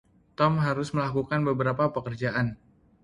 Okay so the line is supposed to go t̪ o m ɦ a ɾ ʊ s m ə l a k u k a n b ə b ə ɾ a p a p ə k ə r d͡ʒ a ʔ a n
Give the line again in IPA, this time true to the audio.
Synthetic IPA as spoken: t̪ ɔ m ɦ a ɾ ʊ s m ə l a k u k a n b ə b ə ɾ a p a p ə k ə r d͡ʒ a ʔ a n